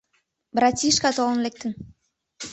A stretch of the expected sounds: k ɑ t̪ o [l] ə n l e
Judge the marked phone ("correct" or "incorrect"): correct